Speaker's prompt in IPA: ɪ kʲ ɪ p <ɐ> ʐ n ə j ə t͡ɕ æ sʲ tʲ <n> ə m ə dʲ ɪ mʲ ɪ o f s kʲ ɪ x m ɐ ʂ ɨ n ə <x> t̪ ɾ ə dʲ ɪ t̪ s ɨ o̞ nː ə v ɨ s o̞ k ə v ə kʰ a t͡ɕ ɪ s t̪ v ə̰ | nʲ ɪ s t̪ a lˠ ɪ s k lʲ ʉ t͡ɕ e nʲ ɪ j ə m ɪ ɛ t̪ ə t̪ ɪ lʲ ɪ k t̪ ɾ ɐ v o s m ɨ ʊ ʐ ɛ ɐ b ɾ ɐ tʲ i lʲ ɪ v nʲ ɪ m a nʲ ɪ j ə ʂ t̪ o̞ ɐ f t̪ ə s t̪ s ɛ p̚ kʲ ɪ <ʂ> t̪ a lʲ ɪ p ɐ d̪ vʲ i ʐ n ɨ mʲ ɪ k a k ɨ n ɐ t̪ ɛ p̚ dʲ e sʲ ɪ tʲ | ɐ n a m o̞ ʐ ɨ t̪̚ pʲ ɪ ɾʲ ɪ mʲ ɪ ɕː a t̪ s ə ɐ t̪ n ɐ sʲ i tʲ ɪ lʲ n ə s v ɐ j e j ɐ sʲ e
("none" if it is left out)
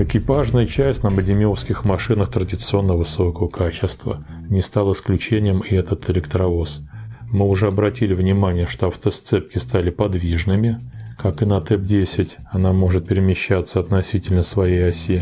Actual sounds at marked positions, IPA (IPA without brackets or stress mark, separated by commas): a, n, x, s